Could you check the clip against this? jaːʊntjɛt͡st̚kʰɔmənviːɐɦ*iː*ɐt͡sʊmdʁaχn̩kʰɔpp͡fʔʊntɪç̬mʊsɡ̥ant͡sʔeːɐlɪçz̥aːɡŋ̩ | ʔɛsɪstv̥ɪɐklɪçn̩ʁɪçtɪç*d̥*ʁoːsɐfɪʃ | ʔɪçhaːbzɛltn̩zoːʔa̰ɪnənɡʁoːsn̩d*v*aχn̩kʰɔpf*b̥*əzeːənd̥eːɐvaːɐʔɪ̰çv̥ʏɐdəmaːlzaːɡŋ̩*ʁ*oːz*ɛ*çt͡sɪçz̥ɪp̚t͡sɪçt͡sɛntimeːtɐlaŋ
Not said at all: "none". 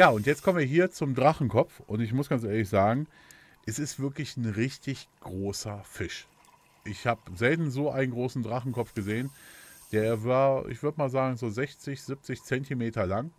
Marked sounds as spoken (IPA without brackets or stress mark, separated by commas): iː, ɡ̥, ʁ, ɡ̥, z, ɛ